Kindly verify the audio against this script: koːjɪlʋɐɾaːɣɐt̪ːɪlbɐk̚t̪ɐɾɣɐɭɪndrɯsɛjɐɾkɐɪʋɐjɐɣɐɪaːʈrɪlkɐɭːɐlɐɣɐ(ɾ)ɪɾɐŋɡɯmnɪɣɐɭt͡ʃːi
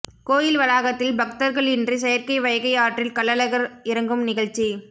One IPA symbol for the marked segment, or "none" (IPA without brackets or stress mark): ɾ